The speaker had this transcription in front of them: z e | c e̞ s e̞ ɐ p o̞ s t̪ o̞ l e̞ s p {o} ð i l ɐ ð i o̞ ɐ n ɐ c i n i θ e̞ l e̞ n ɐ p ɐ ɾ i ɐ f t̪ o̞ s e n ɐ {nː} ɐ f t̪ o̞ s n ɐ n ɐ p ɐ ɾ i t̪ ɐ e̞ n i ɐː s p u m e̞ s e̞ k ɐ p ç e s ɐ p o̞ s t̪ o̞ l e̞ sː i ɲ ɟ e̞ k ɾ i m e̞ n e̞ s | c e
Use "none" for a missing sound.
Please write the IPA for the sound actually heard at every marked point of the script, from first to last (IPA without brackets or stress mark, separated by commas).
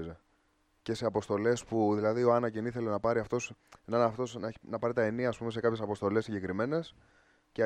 u, n